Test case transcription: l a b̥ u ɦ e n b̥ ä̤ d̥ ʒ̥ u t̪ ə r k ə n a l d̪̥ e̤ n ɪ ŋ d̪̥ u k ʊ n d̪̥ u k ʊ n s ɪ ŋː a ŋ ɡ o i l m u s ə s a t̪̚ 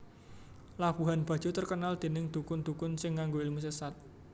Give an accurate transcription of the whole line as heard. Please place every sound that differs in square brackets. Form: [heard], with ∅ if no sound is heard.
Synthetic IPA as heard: l a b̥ u ɦ [a] n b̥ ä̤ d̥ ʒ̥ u t̪ ə r k ə n a l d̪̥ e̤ n ɪ ŋ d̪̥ u k ʊ n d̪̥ u k ʊ n s ɪ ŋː a ŋ ɡ o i l m u s ə s a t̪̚